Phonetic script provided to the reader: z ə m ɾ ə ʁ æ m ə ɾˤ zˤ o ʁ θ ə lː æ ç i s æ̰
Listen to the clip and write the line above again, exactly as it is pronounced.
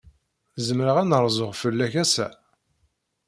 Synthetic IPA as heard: z ə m ɾ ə ʁ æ n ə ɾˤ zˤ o ʁ f ə lː æ ç æ s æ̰